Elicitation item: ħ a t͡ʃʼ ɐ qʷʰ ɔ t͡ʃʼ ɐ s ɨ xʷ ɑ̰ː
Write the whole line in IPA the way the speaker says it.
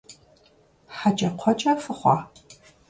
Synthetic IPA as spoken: ħ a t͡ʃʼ ɐ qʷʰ ɔ t͡ʃʼ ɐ f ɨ χʷ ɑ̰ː